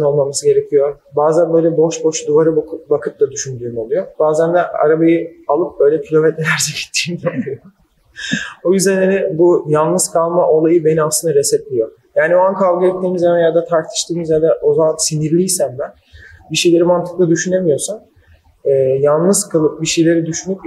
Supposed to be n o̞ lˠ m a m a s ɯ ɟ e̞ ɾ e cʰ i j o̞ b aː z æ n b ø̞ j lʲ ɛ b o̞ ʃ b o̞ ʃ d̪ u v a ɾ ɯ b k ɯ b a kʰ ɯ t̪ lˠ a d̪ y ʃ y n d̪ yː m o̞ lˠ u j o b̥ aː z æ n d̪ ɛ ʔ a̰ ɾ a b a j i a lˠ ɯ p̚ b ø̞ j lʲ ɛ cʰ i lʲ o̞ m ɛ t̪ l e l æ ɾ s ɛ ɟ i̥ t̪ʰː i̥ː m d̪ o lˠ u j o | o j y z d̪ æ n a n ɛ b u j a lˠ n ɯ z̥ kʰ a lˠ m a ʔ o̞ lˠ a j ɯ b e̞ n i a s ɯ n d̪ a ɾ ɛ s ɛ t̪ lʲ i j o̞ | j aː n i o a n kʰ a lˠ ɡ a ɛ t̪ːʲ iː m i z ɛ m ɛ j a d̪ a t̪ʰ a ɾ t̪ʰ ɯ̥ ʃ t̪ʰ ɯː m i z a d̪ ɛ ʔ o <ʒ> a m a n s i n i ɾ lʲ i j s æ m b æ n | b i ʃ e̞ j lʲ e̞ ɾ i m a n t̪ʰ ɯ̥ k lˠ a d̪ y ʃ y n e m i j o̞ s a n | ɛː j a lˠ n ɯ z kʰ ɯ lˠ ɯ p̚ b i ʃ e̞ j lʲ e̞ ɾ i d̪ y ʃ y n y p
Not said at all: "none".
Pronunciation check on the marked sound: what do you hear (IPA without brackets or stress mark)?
z